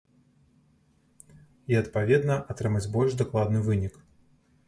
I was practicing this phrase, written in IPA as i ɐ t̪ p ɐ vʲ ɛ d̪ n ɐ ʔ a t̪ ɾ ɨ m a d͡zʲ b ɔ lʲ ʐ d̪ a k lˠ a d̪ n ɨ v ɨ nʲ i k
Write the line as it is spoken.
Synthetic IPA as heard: i ɐ t̪ p a vʲ ɛ d̪ n ɐ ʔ a t̪ ɾ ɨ m a d͡zʲ b ɔ lʲ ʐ d̪ a k lˠ a d̪ n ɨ v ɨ nʲ i k